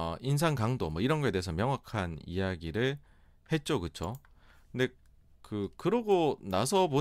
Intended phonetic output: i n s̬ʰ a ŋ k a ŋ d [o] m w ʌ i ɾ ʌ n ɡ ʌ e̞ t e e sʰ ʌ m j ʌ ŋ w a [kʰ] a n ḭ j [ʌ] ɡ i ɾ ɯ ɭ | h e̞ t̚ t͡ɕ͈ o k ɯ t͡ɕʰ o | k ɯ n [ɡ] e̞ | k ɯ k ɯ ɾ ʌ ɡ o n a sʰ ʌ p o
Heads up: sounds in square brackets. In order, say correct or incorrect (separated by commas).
correct, correct, incorrect, incorrect